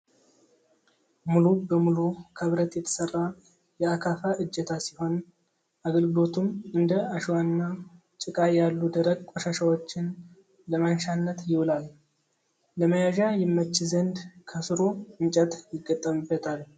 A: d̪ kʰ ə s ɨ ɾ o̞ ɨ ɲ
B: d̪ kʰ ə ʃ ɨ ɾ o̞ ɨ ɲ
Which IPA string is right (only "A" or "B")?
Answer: A